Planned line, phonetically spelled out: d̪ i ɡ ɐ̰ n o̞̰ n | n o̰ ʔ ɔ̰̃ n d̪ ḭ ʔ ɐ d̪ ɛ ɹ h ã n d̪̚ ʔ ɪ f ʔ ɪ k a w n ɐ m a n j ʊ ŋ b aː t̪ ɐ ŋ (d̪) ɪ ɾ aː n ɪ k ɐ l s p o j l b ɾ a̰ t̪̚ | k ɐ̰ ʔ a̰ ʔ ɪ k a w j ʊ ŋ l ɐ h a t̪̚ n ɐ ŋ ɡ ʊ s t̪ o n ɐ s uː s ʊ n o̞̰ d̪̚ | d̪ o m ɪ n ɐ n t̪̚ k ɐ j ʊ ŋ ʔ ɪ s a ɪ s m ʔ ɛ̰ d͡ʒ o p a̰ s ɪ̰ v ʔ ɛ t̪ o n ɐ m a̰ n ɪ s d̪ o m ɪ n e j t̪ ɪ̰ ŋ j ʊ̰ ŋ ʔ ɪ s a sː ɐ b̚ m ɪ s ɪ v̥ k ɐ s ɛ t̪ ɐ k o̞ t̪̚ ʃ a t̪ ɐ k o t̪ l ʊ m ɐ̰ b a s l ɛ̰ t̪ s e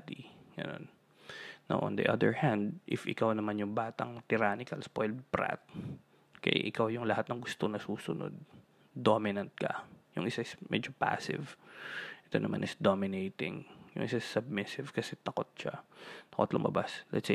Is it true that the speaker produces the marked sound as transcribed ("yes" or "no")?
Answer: no